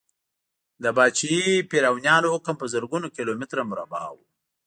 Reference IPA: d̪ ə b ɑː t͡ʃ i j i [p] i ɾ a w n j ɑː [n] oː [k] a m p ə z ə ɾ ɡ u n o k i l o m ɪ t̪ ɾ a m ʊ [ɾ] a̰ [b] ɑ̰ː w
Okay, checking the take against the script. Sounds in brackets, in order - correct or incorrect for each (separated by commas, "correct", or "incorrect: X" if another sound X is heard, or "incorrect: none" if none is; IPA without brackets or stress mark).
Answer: correct, correct, correct, correct, correct